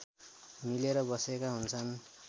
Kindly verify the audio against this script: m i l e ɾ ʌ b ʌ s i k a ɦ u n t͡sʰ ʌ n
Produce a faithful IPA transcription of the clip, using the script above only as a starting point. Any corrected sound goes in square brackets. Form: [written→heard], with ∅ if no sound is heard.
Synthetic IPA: m i l e ɾ ʌ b ʌ s [i→e] k a ɦ u n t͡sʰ ʌ n